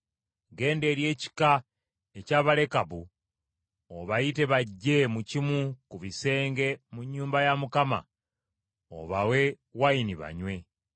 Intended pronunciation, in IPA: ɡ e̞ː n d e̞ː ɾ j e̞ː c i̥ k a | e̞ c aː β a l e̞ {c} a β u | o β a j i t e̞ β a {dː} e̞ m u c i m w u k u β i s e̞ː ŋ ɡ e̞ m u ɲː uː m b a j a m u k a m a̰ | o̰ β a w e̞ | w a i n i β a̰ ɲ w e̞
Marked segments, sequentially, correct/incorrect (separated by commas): incorrect, incorrect